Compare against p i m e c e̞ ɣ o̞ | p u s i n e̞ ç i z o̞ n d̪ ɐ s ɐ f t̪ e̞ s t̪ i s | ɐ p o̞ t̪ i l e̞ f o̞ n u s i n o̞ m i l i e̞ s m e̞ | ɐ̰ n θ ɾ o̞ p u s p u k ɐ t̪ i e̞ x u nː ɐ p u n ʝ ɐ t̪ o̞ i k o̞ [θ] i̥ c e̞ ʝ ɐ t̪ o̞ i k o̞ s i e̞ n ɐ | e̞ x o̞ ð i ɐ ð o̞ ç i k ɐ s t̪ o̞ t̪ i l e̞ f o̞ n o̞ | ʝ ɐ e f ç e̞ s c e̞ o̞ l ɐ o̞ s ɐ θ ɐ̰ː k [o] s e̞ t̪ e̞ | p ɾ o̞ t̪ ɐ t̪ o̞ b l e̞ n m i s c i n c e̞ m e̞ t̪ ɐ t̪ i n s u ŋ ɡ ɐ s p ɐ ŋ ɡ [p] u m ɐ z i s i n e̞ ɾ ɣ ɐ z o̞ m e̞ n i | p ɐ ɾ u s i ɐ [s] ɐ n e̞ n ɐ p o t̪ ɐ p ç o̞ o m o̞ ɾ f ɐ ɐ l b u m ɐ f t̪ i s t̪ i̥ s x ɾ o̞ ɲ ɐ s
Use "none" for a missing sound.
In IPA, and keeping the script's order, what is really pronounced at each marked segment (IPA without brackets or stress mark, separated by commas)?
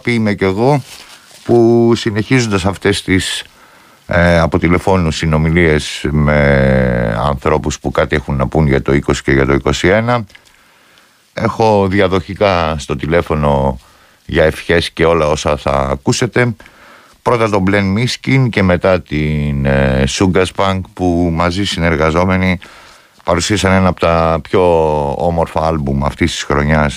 s, u, p, s